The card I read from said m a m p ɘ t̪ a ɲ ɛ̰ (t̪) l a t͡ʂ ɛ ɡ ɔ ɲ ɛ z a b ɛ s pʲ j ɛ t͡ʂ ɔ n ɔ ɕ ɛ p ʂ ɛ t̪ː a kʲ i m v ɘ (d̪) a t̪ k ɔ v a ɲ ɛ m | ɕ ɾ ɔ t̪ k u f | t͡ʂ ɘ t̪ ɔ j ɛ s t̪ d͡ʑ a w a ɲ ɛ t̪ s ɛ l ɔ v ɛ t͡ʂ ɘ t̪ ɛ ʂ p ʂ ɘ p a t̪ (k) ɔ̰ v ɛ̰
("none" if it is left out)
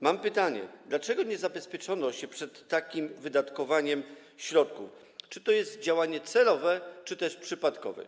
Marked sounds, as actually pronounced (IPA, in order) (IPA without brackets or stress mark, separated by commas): d̪, d̪, k